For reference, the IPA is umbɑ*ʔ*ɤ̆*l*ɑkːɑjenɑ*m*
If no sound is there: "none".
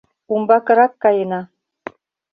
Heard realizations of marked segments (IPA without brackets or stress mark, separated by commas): k, ɾ, none